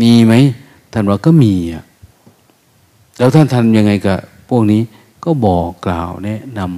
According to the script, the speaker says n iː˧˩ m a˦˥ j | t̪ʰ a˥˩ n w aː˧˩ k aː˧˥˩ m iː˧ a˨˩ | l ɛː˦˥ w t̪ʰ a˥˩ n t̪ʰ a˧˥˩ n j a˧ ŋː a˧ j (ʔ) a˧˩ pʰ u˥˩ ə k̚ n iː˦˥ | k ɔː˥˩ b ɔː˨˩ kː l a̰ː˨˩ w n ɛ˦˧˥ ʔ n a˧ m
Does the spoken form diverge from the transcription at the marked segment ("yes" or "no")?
yes